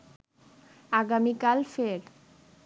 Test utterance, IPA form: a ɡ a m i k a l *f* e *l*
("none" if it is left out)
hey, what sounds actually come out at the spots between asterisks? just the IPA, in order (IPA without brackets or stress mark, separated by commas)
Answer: f, ɾ